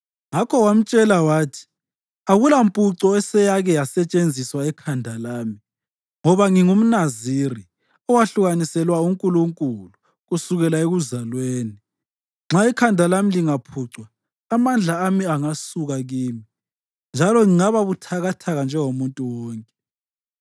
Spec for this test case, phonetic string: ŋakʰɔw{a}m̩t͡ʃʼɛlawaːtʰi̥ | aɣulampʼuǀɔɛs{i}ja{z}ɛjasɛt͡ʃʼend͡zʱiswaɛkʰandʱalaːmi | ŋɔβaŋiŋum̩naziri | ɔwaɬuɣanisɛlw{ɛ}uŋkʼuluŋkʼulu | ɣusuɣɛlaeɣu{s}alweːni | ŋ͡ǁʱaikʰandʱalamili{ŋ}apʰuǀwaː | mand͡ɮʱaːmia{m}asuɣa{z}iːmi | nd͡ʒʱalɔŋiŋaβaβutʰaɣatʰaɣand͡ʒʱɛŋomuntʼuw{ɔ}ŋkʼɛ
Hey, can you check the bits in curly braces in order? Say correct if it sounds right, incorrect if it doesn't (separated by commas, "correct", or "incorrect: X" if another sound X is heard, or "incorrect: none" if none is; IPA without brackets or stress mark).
correct, incorrect: ɛ, incorrect: ɣ, incorrect: a, incorrect: z, correct, incorrect: ŋ, incorrect: ɣ, incorrect: ɔː